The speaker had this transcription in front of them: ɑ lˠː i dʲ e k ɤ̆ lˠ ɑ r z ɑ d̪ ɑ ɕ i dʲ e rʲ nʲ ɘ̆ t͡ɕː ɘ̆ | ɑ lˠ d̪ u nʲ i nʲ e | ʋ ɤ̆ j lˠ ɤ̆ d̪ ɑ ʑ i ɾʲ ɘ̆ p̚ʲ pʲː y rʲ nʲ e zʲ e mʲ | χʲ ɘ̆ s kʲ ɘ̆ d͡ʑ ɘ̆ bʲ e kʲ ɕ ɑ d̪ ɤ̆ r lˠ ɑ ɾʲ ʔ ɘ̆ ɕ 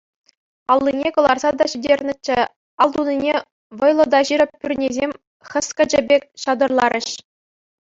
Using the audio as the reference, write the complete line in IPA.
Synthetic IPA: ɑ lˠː i nʲ e k ɤ̆ lˠ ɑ r z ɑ d̪ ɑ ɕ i dʲ e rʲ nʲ ɘ̆ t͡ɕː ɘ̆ | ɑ lˠ d̪ u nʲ i nʲ e | ʋ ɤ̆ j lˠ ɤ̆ d̪ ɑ ʑ i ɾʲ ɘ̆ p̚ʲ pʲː y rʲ nʲ e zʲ e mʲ | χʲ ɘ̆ s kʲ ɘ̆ d͡ʑ ɘ̆ bʲ e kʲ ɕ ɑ d̪ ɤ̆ r lˠ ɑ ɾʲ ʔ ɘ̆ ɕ